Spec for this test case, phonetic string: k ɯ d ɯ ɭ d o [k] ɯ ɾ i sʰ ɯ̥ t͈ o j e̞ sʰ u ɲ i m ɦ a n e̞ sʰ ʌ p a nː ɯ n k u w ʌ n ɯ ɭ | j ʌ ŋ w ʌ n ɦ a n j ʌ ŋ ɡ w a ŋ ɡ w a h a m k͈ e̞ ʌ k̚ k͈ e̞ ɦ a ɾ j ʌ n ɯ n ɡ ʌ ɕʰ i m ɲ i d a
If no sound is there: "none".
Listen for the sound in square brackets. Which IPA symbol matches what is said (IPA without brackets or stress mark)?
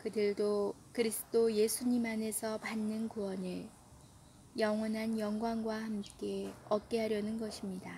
k